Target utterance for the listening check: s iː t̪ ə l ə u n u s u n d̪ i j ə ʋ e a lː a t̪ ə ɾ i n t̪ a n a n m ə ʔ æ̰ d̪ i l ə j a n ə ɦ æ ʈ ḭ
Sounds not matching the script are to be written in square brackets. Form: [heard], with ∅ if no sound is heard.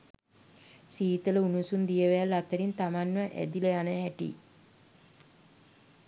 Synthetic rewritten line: s iː t̪ ə l ə u n u s u n d̪ i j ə ʋ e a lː a t̪ ə ɾ i n t̪ a [m] a n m ə ʔ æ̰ d̪ i l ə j a n ə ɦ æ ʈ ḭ

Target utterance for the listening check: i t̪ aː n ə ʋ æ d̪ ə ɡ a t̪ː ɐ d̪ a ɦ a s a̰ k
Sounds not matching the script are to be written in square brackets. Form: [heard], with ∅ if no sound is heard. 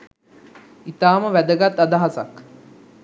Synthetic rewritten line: i t̪ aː [m] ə ʋ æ d̪ ə ɡ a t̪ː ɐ d̪ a ɦ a s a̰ k

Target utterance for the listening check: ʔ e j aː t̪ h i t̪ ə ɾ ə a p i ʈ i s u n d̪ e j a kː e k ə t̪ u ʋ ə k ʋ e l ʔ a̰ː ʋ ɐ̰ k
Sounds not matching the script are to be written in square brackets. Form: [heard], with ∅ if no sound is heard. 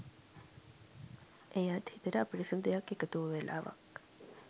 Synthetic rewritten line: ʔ e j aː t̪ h i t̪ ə ɾ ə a p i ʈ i s u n d̪ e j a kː e k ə t̪ u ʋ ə [∅] ʋ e l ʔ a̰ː ʋ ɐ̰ k

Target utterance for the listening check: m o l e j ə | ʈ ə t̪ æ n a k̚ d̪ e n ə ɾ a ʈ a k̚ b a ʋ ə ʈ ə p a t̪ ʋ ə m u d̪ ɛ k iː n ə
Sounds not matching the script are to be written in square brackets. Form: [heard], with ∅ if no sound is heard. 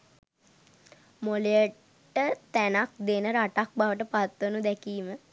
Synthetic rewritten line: m o l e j ə | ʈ ə t̪ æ n a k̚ d̪ e n ə ɾ a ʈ a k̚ b a ʋ ə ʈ ə p a t̪ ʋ ə [n] u d̪ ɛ k iː [m] ə

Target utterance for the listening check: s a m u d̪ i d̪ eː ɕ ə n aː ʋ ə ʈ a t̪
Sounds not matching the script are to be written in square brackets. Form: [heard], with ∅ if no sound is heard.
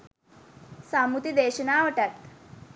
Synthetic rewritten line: s a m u [t̪] i d̪ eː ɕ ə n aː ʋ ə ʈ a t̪

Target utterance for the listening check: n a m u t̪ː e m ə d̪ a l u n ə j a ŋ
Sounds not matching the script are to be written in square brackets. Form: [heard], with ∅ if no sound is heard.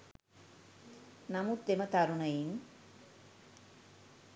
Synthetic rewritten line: n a m u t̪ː e m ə [t̪] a [ɾ] u n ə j [i] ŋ

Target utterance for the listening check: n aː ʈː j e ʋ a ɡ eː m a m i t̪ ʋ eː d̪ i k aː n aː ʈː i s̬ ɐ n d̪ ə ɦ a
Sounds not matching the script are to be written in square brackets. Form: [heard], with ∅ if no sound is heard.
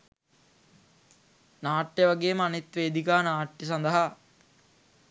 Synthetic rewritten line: n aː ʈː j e ʋ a ɡ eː m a [n] i t̪ ʋ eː d̪ i k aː n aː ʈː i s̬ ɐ n d̪ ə ɦ a

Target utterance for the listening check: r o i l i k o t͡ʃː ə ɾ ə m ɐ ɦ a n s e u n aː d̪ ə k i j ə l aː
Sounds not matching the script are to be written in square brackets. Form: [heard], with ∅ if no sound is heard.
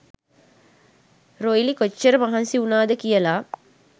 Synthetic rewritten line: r o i l i k o t͡ʃː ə ɾ ə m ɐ ɦ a n s [i] u n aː d̪ ə k i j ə l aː

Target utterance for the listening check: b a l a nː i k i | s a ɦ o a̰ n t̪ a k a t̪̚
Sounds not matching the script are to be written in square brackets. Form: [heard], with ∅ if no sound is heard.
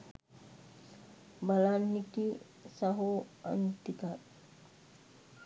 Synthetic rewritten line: b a l a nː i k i | s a ɦ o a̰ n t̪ [i] k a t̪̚

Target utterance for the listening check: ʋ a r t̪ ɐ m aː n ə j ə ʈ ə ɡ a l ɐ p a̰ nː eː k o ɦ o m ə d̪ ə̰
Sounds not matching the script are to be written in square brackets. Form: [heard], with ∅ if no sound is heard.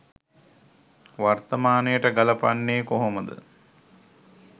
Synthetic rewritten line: ʋ a r t̪ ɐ m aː n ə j ə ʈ ə ɡ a l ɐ p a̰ nː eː k o ɦ o m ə d̪ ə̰

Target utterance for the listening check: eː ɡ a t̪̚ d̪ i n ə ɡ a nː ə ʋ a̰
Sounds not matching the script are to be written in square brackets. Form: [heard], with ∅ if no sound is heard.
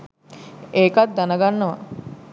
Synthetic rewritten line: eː [k] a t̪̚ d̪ [a] n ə ɡ a nː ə ʋ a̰

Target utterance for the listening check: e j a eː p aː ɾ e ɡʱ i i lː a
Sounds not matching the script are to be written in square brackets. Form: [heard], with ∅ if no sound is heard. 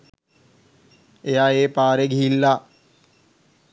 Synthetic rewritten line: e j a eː p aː ɾ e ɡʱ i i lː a

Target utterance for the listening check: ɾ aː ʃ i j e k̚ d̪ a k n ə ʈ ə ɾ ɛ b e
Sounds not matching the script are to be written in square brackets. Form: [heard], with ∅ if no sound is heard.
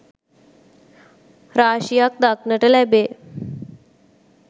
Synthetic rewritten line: ɾ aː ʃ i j [a] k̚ d̪ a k n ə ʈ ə [l] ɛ b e

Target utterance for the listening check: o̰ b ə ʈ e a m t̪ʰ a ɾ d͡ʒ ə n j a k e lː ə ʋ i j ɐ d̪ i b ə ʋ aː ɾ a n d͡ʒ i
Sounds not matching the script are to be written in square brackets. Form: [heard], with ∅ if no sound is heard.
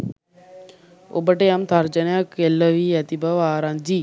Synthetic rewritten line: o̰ b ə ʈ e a m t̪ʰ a ɾ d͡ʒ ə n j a k e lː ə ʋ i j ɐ [t̪] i b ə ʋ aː ɾ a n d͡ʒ i

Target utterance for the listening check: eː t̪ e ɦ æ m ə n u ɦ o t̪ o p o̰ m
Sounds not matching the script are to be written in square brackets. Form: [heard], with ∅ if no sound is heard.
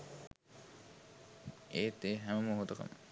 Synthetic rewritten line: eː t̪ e ɦ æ m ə [m] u ɦ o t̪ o [k] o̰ m

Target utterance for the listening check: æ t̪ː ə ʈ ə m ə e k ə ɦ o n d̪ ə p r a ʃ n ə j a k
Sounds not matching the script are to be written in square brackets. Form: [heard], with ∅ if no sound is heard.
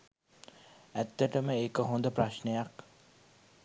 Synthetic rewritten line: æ t̪ː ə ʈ ə m ə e k ə ɦ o n d̪ ə p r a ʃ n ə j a k

